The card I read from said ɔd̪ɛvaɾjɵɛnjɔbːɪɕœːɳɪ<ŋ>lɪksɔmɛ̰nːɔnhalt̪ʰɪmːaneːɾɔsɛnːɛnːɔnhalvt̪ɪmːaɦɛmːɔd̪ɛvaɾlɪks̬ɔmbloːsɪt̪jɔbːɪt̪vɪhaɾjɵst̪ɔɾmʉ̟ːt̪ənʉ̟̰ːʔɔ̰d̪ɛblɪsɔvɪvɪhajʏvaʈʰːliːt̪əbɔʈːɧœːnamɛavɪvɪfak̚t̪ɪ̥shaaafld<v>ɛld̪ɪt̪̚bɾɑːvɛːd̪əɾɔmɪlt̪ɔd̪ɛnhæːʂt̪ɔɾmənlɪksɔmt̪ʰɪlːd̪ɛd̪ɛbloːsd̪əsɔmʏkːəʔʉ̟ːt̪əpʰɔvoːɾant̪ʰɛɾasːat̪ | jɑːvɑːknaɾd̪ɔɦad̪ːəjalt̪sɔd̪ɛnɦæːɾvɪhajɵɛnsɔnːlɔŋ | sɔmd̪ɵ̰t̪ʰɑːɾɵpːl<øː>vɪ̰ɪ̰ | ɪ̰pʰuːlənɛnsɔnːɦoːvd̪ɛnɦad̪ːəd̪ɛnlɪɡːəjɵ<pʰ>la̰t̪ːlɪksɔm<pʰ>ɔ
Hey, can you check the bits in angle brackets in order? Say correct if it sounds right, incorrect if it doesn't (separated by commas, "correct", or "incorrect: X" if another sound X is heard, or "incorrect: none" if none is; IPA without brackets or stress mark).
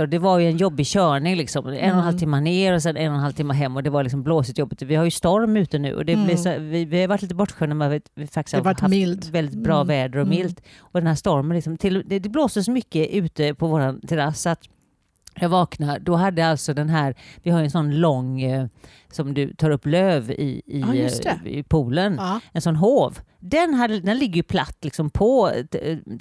correct, correct, correct, correct, correct